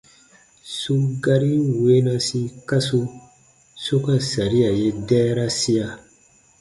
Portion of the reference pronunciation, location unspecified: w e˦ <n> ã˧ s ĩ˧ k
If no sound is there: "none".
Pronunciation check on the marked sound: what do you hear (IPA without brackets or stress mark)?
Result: n